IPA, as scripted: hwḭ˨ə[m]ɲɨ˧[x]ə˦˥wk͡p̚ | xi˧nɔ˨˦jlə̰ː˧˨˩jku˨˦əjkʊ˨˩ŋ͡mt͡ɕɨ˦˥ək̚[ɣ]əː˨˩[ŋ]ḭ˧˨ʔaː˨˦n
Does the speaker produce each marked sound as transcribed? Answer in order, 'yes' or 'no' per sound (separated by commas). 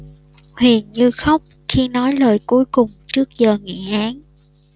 no, yes, no, yes